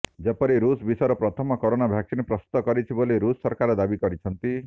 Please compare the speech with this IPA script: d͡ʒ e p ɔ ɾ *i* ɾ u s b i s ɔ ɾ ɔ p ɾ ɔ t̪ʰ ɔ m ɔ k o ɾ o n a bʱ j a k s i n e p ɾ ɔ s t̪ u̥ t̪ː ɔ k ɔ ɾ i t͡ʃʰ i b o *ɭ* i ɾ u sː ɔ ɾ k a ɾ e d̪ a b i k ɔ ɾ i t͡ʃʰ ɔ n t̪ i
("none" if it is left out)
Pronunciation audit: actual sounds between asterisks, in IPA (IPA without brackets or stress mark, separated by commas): i, l